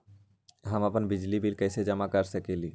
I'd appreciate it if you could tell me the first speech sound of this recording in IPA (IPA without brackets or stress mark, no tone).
ɦ